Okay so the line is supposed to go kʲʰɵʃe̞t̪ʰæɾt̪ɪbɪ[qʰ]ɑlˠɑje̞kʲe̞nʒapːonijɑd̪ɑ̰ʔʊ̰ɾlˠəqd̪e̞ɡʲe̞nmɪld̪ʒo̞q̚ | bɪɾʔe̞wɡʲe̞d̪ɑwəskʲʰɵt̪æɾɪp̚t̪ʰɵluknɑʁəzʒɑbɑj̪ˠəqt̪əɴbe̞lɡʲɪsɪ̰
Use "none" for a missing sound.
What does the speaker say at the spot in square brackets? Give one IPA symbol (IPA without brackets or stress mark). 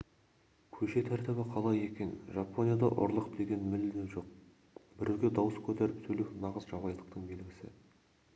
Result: qʰ